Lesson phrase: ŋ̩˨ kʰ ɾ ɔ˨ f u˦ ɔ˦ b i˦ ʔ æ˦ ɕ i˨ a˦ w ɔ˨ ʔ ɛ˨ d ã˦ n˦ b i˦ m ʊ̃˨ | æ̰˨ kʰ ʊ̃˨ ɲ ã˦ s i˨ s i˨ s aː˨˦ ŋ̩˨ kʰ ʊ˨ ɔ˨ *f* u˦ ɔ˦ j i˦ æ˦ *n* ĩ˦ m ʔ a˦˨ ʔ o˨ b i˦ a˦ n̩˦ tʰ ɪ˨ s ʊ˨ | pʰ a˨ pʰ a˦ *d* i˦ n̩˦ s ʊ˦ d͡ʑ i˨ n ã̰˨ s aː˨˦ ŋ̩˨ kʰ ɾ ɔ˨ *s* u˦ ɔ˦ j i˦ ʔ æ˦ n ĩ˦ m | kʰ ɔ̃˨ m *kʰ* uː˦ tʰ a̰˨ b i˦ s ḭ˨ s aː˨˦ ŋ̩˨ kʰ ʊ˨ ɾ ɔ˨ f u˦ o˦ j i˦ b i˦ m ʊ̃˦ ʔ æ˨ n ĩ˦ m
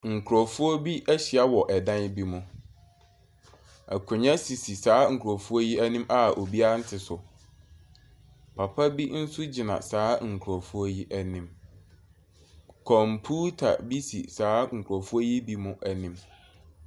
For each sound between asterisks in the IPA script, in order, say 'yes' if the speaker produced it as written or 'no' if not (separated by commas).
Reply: yes, yes, no, no, no